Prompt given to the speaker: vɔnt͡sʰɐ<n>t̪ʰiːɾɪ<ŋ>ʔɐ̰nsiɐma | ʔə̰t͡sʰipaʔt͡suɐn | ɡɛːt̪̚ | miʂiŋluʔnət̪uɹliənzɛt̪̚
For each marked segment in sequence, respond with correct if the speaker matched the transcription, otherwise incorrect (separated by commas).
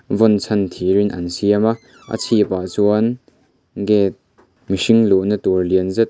correct, incorrect